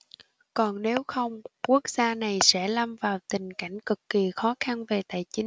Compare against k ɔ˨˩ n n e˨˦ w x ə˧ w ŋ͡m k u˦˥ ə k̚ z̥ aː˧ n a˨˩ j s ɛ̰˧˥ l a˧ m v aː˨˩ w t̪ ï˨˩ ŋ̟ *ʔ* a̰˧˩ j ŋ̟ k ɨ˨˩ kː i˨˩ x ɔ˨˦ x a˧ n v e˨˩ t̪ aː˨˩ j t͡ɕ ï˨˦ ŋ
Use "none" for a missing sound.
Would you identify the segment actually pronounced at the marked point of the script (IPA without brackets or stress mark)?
k